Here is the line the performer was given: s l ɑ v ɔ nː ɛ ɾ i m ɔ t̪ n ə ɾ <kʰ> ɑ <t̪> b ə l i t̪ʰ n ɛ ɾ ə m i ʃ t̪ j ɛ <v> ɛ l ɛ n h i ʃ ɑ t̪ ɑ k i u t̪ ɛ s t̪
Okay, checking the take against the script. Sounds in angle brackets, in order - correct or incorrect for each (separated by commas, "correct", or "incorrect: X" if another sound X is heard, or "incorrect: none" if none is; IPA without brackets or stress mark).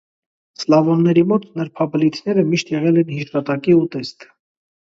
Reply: incorrect: pʰ, incorrect: none, incorrect: ʁ